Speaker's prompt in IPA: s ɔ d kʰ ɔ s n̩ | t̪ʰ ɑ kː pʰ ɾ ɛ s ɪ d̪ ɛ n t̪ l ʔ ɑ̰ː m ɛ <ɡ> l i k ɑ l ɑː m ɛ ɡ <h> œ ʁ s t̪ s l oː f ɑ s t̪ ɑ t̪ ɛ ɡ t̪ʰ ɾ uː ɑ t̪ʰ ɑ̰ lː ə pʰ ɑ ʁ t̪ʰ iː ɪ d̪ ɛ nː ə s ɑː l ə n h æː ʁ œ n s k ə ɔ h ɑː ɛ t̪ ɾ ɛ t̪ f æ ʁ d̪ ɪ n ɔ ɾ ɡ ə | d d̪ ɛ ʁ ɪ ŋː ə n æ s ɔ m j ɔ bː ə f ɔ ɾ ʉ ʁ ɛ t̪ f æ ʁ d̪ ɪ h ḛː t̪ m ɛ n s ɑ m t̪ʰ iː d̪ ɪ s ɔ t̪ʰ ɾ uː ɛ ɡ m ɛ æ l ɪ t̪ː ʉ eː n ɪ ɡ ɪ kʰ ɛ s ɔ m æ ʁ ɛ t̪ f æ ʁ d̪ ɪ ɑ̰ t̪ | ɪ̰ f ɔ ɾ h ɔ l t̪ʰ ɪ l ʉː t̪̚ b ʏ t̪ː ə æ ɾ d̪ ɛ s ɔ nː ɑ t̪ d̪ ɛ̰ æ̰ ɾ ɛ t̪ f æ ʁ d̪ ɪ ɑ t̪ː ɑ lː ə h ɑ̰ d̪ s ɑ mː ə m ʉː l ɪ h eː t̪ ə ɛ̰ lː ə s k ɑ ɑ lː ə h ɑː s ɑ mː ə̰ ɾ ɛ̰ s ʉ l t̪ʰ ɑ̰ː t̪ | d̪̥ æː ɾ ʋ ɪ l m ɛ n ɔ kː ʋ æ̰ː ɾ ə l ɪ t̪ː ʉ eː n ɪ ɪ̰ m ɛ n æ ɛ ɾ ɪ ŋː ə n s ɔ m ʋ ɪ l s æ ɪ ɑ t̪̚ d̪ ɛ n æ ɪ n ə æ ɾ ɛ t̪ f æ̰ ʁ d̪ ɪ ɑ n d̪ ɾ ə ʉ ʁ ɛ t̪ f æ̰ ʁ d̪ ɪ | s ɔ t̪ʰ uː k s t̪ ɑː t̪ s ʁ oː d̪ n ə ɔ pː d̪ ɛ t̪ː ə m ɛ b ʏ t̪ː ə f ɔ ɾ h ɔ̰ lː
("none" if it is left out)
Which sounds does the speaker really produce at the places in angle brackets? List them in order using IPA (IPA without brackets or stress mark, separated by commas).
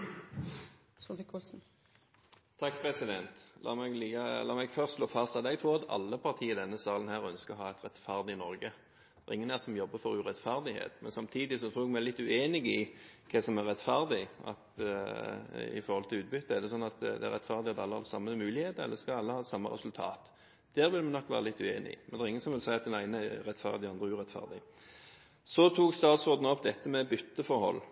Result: ɡ, f